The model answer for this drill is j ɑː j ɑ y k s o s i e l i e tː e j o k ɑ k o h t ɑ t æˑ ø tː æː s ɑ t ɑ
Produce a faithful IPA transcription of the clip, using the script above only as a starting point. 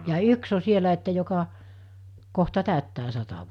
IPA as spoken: j ɑː j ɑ y k s o s i e l æ e tː æ j o k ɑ k o h t ɑ t æˑ ø tː æː s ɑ t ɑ